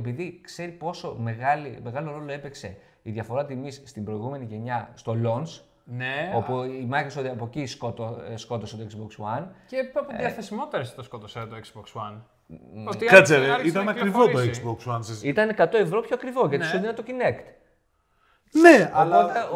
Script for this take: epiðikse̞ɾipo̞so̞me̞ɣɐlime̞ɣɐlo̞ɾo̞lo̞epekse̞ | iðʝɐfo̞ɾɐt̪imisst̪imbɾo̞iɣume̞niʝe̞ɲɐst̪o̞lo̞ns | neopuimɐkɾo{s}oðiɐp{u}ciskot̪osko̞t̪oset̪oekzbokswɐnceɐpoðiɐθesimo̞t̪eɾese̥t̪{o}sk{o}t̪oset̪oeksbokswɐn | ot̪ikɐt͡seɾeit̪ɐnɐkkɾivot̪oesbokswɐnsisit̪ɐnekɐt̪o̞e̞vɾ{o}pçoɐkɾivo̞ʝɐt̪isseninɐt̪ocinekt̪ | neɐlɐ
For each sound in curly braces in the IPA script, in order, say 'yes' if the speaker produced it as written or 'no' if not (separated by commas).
yes, no, yes, yes, yes